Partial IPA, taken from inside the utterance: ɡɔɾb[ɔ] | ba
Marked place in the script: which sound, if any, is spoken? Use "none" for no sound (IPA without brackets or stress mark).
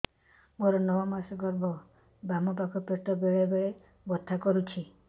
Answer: ɔ